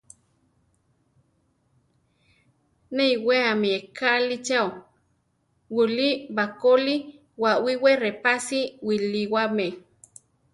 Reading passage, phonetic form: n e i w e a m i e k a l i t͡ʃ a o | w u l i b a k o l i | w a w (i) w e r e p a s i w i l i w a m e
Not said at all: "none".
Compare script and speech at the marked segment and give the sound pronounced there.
i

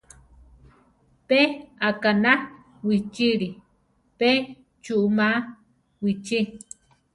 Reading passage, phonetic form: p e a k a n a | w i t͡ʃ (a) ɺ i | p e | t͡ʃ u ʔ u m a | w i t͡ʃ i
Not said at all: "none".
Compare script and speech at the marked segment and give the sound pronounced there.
i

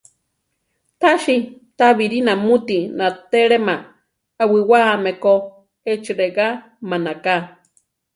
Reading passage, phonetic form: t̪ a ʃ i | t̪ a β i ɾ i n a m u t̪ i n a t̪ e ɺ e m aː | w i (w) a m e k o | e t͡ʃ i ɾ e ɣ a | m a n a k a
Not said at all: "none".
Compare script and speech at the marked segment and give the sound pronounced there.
w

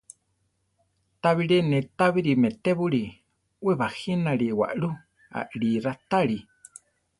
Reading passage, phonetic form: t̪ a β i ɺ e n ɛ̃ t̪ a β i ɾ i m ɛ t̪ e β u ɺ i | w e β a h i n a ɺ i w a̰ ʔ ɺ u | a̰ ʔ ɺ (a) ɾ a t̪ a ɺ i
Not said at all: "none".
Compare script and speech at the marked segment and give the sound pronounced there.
i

